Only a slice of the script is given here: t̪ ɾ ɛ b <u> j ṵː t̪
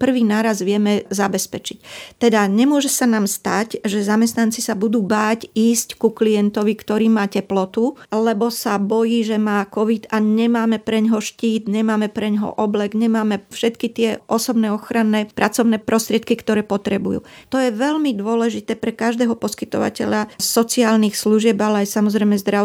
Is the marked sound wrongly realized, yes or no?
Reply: no